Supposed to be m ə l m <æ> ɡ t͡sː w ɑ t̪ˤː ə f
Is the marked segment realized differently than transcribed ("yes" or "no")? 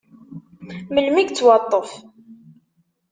yes